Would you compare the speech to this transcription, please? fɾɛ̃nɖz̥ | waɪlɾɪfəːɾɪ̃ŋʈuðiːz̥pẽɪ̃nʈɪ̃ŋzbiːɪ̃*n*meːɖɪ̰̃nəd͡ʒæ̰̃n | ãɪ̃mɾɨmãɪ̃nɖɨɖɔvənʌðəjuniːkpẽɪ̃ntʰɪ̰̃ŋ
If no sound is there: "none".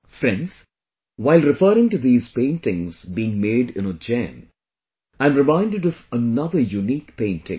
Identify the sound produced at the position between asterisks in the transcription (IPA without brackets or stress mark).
ŋ